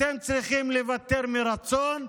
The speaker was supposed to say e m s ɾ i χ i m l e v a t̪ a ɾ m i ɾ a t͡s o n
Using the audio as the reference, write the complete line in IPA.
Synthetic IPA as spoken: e m t͡s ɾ i χ i m l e v a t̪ e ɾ m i ɾ a t͡s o n